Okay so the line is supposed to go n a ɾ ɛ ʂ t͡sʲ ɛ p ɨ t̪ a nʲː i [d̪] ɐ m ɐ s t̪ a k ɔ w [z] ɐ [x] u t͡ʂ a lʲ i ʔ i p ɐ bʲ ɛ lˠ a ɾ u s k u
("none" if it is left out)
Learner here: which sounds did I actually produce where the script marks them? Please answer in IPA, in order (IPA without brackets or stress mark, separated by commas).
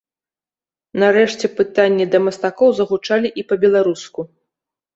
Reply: d̪, z, ɣ